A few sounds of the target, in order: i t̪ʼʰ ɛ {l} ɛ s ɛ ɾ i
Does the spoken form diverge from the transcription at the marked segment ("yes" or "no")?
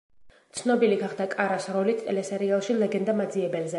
no